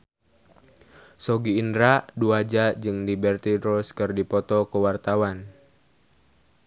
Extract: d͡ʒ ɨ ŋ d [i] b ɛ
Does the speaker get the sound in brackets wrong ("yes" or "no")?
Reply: no